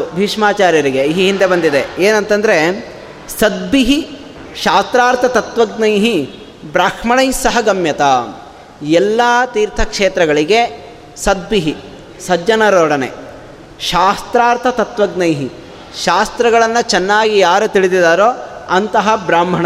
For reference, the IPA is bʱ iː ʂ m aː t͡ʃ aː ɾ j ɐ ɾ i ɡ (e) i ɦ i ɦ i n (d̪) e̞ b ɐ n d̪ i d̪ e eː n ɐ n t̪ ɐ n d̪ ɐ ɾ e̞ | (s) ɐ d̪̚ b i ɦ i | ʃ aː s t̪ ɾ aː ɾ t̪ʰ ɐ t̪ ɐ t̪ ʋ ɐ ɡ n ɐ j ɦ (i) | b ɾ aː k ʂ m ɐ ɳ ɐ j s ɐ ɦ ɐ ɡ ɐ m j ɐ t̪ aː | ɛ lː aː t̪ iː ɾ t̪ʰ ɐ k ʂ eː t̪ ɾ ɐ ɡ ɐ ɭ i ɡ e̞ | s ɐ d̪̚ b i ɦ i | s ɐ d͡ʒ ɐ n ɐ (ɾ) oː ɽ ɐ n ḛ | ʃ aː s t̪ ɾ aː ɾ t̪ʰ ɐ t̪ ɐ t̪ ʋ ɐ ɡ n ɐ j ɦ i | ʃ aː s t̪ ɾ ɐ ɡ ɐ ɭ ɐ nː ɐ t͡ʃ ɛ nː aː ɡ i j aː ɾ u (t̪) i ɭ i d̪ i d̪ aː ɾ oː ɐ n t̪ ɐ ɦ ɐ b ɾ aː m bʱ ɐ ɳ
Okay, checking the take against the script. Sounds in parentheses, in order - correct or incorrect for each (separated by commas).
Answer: correct, correct, correct, correct, correct, correct